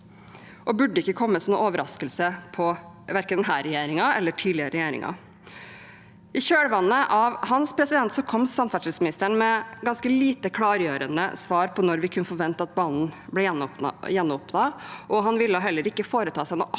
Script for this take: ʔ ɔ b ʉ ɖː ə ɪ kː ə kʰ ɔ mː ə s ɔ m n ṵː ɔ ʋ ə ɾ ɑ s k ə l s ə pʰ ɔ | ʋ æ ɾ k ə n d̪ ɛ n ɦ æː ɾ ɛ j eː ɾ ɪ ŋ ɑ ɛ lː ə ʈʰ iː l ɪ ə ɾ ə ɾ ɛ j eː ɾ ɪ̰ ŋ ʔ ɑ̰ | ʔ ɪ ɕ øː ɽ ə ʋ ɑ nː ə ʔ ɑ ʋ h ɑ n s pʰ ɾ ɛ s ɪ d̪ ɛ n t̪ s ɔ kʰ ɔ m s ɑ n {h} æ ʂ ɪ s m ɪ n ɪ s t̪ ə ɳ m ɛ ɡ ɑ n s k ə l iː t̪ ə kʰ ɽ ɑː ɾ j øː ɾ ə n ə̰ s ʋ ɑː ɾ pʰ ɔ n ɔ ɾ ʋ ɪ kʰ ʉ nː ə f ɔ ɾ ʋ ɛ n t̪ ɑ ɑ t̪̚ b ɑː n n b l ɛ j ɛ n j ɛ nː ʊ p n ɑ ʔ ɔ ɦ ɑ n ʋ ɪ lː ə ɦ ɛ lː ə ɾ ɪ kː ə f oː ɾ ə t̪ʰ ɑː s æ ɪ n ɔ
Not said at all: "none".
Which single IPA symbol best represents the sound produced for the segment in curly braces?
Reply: f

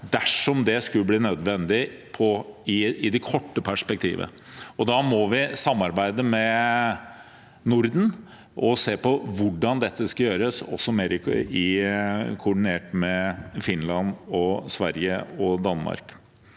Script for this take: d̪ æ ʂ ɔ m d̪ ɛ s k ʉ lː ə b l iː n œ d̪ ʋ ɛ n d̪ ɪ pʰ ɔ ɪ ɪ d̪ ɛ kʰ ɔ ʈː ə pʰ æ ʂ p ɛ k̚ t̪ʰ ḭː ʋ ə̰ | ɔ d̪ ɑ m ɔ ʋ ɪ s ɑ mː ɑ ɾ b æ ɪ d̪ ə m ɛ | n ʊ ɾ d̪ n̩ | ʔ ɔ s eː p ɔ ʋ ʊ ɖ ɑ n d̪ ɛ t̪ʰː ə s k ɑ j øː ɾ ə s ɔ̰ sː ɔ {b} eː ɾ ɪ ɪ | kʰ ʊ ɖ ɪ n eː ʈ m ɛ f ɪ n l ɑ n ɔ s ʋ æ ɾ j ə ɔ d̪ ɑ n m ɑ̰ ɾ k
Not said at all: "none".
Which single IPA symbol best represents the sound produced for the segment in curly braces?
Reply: m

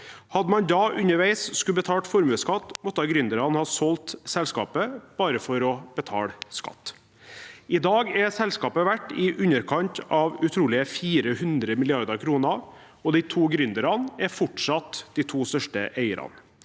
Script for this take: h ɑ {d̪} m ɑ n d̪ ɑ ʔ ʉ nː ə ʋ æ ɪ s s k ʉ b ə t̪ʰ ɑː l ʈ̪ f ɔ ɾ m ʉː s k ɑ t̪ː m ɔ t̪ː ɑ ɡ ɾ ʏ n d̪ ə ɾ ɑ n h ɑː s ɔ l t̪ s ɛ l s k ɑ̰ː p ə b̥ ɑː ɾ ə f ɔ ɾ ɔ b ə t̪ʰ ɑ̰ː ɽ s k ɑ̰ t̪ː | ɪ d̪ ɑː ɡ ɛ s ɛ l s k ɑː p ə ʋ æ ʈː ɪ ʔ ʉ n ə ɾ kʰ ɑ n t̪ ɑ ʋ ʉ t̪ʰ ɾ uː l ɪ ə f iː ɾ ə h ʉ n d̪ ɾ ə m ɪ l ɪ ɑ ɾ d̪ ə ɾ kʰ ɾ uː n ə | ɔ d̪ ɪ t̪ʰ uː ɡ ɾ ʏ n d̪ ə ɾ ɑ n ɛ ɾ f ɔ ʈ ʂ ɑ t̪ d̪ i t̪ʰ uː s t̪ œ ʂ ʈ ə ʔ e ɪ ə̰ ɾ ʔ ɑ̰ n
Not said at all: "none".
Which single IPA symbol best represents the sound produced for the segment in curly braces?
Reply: d̪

